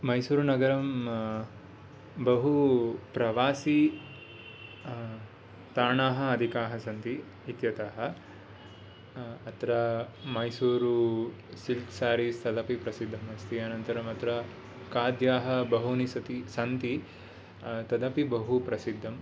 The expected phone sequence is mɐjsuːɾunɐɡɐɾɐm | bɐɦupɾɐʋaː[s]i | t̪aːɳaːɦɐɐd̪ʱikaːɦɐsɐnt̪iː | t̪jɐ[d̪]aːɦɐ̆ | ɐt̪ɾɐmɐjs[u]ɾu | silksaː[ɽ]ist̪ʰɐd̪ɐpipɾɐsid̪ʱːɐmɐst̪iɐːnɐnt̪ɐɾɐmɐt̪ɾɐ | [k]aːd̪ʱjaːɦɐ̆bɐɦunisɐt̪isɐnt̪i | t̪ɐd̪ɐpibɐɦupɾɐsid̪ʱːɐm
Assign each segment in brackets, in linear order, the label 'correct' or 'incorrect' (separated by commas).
correct, incorrect, incorrect, incorrect, correct